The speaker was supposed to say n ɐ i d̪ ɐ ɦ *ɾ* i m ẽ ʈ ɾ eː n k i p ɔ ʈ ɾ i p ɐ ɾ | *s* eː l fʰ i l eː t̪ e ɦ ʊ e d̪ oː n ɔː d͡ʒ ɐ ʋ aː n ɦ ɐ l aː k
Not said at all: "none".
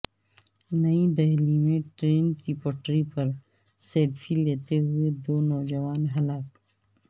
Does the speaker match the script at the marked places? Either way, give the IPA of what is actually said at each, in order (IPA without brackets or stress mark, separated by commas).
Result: l, s